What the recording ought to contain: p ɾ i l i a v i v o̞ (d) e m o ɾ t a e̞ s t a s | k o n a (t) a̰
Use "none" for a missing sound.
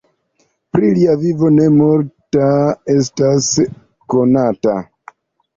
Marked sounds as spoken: n, t

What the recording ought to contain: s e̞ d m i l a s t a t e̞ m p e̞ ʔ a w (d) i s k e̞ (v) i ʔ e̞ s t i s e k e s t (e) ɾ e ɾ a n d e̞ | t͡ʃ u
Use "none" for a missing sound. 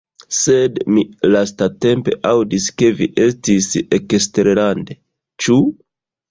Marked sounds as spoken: d, v, e

